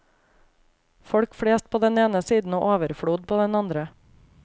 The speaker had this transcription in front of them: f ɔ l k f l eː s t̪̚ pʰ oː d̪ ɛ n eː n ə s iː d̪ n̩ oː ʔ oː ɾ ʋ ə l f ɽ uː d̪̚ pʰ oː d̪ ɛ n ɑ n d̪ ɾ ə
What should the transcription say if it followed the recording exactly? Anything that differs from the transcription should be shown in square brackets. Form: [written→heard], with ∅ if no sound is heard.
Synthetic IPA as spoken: f ɔ [l→ɽ] k f [l→ɽ] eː s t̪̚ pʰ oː d̪ ɛ n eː n ə s iː d̪ n̩ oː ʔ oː [ɾ→∅] ʋ ə [l→ɾ] f ɽ uː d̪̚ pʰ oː d̪ ɛ n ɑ n d̪ ɾ ə